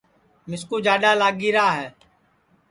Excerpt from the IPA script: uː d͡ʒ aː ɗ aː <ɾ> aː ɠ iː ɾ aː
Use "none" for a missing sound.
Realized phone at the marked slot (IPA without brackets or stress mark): l